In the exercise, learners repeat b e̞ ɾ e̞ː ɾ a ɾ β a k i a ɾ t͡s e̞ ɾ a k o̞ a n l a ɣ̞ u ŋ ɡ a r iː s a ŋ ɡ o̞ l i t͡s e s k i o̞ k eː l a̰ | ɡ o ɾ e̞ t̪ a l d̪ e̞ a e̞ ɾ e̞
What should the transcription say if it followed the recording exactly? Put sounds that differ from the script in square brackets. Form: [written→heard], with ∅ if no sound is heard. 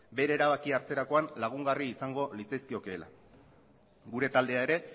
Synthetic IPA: b e̞ ɾ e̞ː ɾ a [ɾ→∅] β a k i a ɾ t͡s e̞ ɾ a k o̞ a n l a ɣ̞ u ŋ ɡ a r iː s a ŋ ɡ o̞ l i t͡s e s k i o̞ k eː l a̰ | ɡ [o→u] ɾ e̞ t̪ a l d̪ e̞ a e̞ ɾ e̞